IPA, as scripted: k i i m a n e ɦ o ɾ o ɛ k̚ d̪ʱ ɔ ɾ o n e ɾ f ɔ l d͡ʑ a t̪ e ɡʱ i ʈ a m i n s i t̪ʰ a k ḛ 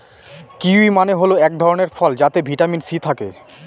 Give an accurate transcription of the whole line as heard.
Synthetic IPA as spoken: k i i m a n e ɦ o l o ɛ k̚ d̪ʱ ɔ ɾ o n e ɾ f ɔ l d͡ʑ a t̪ e bʱ i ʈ a m i n s i t̪ʰ a k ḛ

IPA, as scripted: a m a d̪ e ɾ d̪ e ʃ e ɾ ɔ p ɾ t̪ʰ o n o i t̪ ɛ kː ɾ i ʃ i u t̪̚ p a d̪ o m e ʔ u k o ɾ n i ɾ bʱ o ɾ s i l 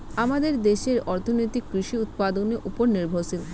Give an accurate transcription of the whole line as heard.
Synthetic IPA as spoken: a m a d̪ e ɾ d̪ e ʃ e ɾ ɔ ɾ t̪ʰ o n o j t̪ i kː ɾ i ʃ i u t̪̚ p a d̪ o n e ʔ u p o ɾ n i ɾ bʱ o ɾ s i l

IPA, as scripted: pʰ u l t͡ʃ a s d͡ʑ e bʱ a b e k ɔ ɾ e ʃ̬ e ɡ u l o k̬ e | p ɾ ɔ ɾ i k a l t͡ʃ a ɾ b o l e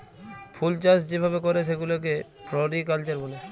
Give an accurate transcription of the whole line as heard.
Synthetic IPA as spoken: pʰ u l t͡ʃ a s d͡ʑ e bʱ a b e k ɔ ɾ e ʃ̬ e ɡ u l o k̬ e | p ɾ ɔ ɾ i k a l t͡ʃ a ɾ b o l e

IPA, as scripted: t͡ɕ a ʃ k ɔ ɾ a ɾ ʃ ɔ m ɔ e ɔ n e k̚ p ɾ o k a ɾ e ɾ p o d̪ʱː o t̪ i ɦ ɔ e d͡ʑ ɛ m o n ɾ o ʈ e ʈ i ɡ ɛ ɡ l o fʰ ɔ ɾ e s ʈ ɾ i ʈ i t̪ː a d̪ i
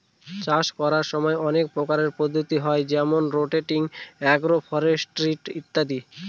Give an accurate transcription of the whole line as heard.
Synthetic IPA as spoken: t͡ɕ a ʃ k ɔ ɾ a ɾ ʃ ɔ m ɔ e ɔ n e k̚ p ɾ o k a ɾ e ɾ p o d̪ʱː o t̪ i ɦ ɔ e d͡ʑ ɛ m o n ɾ o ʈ e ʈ i ŋ ɛ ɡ ɾ o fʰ ɔ ɾ e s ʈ ɾ i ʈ i t̪ː a d̪ i

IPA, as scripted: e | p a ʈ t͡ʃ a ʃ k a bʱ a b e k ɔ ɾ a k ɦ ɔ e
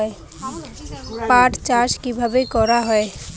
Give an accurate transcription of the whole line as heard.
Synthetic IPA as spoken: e | p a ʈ t͡ʃ a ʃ k i bʱ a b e k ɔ ɾ a ɦ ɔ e

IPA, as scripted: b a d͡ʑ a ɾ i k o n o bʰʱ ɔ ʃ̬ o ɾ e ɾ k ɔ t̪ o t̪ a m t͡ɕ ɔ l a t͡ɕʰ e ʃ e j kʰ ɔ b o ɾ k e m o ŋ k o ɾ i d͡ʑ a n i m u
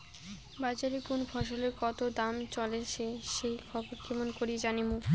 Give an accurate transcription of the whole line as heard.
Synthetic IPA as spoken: b a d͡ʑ a ɾ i k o n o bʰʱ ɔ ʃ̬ o l e ɾ k ɔ t̪ o d̪ a m t͡ɕ ɔ l e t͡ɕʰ e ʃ e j kʰ ɔ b o ɾ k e m o n k o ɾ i d͡ʑ a n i m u

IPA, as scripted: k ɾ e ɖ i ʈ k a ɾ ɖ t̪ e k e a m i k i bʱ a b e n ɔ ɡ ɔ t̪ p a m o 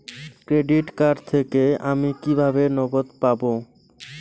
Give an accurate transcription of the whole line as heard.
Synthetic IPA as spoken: k ɾ e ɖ i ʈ k a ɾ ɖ t̪ʰ e k e a m i k i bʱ a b e n ɔ ɡ o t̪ p a b o

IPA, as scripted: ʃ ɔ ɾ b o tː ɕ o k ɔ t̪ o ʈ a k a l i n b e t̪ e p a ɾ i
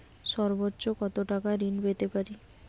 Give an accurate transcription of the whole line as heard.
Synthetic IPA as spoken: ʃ ɔ ɾ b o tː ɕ o k ɔ t̪ o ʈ a k a ɾ i n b e t̪ e p a ɾ i

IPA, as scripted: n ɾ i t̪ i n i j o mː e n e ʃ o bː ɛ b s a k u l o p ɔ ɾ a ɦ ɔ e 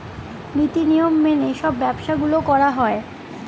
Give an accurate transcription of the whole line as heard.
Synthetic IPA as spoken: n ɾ i t̪ i n i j o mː e n e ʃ ɔ bː ɛ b ʃ a ɡ u l o k ɔ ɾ a ɦ ɔ e

